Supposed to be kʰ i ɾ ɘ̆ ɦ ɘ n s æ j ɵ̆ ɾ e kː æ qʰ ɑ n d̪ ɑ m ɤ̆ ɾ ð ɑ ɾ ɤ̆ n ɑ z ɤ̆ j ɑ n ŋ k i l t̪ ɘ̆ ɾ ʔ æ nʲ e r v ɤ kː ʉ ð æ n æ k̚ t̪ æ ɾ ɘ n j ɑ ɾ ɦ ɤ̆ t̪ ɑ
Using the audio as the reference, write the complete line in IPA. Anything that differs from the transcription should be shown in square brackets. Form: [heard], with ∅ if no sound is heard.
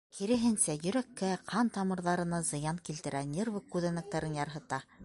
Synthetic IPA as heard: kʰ i ɾ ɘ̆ ɦ ɘ n s æ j ɵ̆ ɾ [æ] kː æ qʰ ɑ n [t̪] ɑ m ɤ̆ ɾ ð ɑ ɾ ɤ̆ n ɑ z ɤ̆ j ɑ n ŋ k i l t̪ ɘ̆ ɾ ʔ æ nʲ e r v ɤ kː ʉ ð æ n æ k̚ t̪ æ ɾ ɘ n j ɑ ɾ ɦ ɤ̆ t̪ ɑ

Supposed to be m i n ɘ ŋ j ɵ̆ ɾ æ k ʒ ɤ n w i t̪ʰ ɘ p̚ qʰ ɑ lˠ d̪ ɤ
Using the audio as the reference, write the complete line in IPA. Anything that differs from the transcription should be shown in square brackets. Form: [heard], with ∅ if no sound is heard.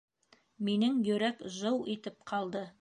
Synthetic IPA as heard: m i n ɘ ŋ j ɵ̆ ɾ æ k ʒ ɤ [∅] w i [t̪] ɘ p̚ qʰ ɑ lˠ d̪ ɤ

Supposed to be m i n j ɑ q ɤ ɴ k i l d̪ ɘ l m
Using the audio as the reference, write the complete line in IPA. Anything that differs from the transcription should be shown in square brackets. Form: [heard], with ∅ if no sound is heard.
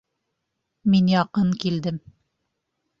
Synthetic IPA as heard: m i n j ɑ q ɤ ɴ k i l d̪ ɘ [∅] m

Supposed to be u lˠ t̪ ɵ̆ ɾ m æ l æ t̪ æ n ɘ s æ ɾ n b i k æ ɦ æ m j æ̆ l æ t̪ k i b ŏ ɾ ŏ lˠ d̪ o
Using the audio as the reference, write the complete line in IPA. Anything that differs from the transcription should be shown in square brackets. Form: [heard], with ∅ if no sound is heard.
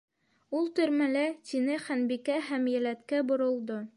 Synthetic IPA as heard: u lˠ t̪ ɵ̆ ɾ m æ l æ t̪ [i] n ɘ [χ] æ [∅] n b i k æ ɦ æ m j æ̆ l æ t̪ k [æ] b ŏ ɾ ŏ lˠ d̪ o

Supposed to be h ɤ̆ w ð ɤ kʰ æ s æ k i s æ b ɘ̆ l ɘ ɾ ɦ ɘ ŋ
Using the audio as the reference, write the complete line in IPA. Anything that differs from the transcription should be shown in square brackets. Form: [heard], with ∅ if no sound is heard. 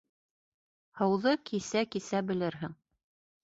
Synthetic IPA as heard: h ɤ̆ w ð ɤ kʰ [i] s æ k i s æ b ɘ̆ l ɘ ɾ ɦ ɘ ŋ

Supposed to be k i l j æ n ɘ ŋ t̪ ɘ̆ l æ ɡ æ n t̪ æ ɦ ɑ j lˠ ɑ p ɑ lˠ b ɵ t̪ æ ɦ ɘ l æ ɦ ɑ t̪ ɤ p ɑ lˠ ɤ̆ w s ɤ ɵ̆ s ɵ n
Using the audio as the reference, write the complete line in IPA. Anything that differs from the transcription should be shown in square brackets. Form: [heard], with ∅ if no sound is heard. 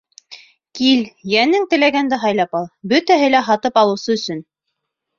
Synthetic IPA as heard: k i l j æ n ɘ ŋ t̪ ɘ̆ l æ ɡ æ n [d̪] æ ɦ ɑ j lˠ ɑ p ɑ lˠ b ɵ t̪ æ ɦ ɘ l æ ɦ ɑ t̪ ɤ p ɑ lˠ ɤ̆ w s ɤ ɵ̆ s ɵ n

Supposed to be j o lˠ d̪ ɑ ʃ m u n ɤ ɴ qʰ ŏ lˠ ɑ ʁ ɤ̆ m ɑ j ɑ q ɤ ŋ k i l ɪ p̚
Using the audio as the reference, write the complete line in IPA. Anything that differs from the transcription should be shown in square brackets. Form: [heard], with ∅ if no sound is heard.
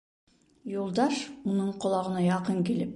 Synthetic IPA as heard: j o lˠ d̪ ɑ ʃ m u n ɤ ɴ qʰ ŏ lˠ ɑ ʁ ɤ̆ [n] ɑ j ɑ q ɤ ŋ k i l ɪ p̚

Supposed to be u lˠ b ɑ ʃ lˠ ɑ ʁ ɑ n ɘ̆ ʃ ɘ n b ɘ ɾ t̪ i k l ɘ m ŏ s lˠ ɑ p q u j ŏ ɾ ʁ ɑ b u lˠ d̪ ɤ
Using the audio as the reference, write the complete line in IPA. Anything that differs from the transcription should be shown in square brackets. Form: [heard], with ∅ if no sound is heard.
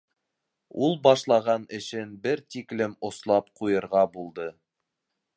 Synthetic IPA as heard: u lˠ b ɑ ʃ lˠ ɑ ʁ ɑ n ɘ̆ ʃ ɘ n b ɘ ɾ t̪ i k l ɘ m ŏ s lˠ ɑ p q u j [ɤ̆] ɾ ʁ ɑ b u lˠ d̪ ɤ

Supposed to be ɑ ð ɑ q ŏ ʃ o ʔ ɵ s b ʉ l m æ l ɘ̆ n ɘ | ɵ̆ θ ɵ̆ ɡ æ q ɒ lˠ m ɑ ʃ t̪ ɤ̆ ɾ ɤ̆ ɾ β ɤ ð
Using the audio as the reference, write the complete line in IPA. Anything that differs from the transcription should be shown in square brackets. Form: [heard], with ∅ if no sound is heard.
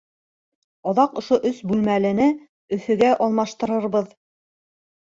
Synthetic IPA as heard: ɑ ð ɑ q ŏ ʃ o ʔ ɵ s b ʉ l m æ l ɘ̆ n ɘ | ɵ̆ θ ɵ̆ ɡ æ [ʔ] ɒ lˠ m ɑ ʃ t̪ ɤ̆ ɾ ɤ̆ ɾ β ɤ ð

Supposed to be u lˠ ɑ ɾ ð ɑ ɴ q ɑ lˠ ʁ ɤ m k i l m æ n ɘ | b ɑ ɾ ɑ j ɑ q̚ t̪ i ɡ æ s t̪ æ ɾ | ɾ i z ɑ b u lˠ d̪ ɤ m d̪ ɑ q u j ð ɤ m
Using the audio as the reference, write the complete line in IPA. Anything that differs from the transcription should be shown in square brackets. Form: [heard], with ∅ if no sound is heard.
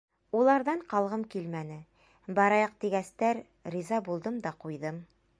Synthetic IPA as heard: u lˠ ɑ ɾ ð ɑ ɴ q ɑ lˠ ʁ ɤ m k i l m æ n ɘ | b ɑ ɾ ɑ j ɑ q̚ t̪ i ɡ æ s t̪ æ ɾ | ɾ i z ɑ b u lˠ d̪ ɤ m d̪ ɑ q u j ð ɤ m

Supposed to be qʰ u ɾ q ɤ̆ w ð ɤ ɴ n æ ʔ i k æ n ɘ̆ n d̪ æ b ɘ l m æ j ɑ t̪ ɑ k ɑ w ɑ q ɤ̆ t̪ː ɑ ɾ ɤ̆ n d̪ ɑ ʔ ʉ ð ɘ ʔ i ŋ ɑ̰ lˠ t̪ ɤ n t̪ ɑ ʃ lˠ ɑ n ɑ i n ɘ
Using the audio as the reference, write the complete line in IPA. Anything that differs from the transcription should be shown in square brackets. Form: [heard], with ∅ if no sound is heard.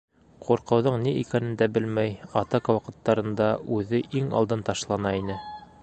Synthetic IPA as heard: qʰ u ɾ q ɤ̆ w ð ɤ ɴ n [i] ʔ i k æ n ɘ̆ n d̪ æ b ɘ l m æ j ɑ t̪ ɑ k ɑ w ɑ q ɤ̆ t̪ː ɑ ɾ ɤ̆ n d̪ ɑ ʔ ʉ ð ɘ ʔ i ŋ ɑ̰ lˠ [d̪] ɤ n t̪ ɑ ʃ lˠ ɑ n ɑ i n ɘ

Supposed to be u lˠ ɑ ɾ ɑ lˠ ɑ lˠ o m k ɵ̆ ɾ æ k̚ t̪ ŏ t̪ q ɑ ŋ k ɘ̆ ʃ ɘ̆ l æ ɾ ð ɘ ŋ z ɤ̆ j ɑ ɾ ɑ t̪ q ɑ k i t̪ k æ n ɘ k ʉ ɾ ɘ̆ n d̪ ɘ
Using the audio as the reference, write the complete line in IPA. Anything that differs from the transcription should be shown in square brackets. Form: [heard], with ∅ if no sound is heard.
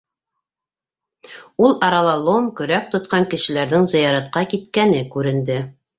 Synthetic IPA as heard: u lˠ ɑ ɾ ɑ lˠ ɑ lˠ o m k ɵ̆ ɾ æ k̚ t̪ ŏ t̪ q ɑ ŋ k ɘ̆ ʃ ɘ̆ l æ ɾ ð ɘ ŋ z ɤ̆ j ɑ ɾ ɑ t̪ q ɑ k i t̪ k æ n ɘ k ʉ ɾ ɘ̆ n d̪ ɘ

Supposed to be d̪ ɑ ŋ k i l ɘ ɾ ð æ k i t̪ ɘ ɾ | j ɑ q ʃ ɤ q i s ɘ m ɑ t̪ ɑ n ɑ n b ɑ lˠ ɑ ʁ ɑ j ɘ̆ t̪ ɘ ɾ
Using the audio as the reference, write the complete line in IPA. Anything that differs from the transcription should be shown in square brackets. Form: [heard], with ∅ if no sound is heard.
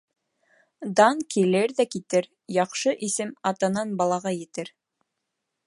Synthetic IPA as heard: d̪ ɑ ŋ k i l ɘ ɾ ð æ k i t̪ ɘ ɾ | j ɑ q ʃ ɤ [ʔ] i s ɘ m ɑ t̪ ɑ n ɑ n b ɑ lˠ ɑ ʁ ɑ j ɘ̆ t̪ ɘ ɾ

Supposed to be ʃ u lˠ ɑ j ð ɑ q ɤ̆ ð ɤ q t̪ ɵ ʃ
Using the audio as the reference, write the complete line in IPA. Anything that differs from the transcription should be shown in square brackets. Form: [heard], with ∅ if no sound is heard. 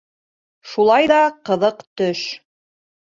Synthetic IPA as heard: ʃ u lˠ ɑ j ð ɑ q ɤ̆ ð ɤ q t̪ ɵ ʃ

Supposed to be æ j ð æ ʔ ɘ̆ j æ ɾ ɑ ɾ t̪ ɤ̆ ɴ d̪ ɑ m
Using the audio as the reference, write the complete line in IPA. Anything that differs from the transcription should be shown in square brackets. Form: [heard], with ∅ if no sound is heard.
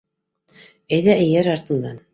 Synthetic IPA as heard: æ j ð æ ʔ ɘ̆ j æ ɾ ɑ ɾ t̪ ɤ̆ [n] d̪ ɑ [n]

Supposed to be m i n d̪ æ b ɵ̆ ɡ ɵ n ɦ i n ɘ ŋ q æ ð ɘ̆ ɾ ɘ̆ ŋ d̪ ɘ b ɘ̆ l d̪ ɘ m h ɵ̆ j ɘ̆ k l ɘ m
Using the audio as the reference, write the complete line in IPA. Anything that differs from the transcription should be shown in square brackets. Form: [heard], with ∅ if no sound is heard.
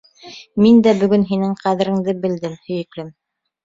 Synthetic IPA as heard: m i n d̪ æ b ɵ̆ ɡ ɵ n ɦ i n ɘ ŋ q æ ð ɘ̆ ɾ ɘ̆ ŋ d̪ ɘ b ɘ̆ l d̪ ɘ m h ɵ̆ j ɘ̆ k l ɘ m

